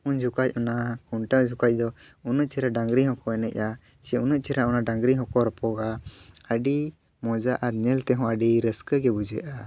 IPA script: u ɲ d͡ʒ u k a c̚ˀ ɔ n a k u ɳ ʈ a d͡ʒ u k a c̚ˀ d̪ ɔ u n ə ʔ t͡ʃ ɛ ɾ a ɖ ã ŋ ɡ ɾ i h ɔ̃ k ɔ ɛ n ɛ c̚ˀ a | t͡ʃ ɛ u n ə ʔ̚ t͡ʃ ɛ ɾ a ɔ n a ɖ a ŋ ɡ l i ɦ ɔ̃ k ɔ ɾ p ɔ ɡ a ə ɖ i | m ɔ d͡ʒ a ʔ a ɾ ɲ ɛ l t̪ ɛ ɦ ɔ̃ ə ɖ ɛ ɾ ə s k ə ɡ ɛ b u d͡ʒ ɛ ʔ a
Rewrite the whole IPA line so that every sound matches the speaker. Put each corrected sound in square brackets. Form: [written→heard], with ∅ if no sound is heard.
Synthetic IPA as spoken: u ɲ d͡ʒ u k a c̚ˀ ɔ n a k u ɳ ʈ a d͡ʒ u k a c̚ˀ d̪ ɔ u n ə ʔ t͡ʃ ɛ ɾ a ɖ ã ŋ ɡ ɾ i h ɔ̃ k ɔ ɛ n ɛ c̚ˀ a | t͡ʃ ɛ u n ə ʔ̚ t͡ʃ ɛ ɾ a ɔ n a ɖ a ŋ ɡ [l→ɾ] i ɦ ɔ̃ k ɔ ɾ p ɔ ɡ a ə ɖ i | m ɔ d͡ʒ a ʔ a ɾ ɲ ɛ l t̪ ɛ ɦ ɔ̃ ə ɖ [ɛ→i] ɾ ə s k ə ɡ ɛ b u d͡ʒ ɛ ʔ a

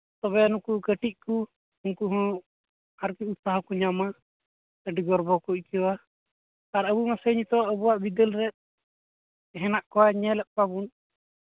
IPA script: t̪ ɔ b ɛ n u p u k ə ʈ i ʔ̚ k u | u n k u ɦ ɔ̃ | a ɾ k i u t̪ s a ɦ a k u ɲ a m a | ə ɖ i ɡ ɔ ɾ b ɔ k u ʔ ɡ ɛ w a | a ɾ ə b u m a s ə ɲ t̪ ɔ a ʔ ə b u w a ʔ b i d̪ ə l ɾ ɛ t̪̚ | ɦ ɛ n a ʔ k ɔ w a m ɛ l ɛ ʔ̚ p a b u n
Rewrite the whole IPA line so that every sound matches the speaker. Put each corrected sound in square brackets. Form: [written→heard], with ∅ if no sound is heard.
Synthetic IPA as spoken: t̪ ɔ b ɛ n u [p→k] u k ə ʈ i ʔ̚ k u | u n k u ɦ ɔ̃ | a ɾ k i u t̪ s a ɦ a k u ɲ a m a | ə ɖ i ɡ ɔ ɾ b ɔ k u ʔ [ɡ→k] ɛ w a | a ɾ ə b u m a s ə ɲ t̪ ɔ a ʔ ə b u w a ʔ b i d̪ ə l ɾ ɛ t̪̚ | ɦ ɛ n a ʔ k ɔ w a [m→ɲ] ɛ l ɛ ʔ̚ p a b u n

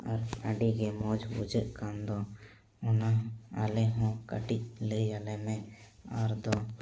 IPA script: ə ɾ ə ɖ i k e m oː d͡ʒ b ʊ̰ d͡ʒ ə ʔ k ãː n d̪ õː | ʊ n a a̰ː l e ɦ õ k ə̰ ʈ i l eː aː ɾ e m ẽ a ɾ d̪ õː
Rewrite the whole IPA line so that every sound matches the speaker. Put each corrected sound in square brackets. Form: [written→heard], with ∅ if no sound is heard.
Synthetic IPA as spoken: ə ɾ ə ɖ i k e m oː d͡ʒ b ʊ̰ d͡ʒ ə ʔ k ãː n d̪ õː | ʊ n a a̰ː l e ɦ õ k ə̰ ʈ i l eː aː [ɾ→l] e m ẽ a ɾ d̪ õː

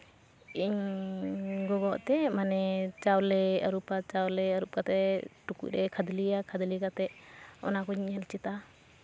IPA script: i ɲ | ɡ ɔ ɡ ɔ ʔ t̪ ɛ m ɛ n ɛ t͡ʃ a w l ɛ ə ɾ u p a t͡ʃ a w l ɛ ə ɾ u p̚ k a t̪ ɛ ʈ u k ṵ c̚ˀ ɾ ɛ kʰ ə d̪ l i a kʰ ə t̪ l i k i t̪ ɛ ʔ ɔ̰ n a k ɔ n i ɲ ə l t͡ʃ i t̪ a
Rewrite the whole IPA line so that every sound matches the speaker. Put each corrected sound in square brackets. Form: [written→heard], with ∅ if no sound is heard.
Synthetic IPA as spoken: i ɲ | ɡ ɔ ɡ ɔ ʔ t̪ ɛ m [ɛ→a] n ɛ t͡ʃ a w l ɛ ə ɾ u p a t͡ʃ a w l ɛ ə ɾ u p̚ k a t̪ ɛ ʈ u k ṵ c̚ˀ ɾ ɛ kʰ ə d̪ l i a kʰ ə [t̪→d̪] l i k [i→a] t̪ ɛ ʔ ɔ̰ n a k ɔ [n→ɲ] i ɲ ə l t͡ʃ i t̪ a

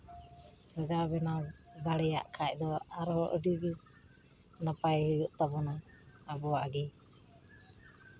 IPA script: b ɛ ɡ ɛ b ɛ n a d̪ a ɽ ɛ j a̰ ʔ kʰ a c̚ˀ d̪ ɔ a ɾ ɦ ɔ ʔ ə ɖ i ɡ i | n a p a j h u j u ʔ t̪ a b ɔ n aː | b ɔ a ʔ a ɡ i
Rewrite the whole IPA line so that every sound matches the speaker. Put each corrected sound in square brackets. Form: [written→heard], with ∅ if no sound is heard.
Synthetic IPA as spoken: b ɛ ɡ [ɛ→a] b ɛ n a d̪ a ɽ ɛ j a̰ ʔ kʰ a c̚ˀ d̪ ɔ a ɾ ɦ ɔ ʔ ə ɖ i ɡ i | n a p a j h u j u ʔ t̪ a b ɔ n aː | b ɔ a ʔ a ɡ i

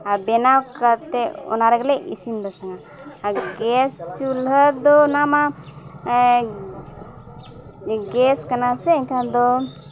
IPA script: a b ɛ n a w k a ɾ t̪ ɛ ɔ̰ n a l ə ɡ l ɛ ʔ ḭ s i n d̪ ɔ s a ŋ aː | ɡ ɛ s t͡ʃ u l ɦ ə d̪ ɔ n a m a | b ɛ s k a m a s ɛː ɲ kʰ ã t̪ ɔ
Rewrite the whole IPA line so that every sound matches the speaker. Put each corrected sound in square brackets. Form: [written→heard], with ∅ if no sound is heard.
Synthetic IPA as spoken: a b ɛ n a w k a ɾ t̪ ɛ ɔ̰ n a [l→ɾ] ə ɡ l ɛ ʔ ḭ s i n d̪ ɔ s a ŋ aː | ɡ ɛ s t͡ʃ u l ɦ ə d̪ ɔ n a m a | [b→ɡ] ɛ s k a [m→n] a s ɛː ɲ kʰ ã [t̪→d̪] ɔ

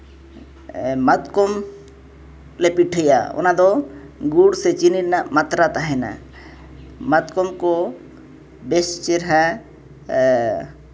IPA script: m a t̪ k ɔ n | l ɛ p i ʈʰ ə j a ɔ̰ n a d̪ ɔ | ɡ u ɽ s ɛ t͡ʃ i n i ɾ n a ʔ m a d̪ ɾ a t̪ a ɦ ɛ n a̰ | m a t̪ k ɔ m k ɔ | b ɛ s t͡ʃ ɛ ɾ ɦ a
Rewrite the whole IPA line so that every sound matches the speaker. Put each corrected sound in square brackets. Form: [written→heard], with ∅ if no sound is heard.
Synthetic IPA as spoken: m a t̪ k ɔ [n→m] | l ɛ p i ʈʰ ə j a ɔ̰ n a d̪ ɔ | ɡ u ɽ s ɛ t͡ʃ i n i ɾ n a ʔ m a [d̪→t̪] ɾ a t̪ a ɦ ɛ n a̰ | m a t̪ k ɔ m k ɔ | b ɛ s t͡ʃ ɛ ɾ ɦ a

